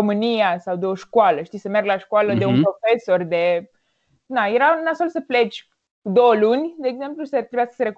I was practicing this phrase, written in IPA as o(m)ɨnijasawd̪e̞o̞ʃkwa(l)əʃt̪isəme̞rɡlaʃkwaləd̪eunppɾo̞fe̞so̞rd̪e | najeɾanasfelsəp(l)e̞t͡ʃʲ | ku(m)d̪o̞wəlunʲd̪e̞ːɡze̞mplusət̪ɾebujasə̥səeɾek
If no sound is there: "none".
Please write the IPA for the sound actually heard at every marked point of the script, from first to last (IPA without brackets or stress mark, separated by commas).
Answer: m, l, l, none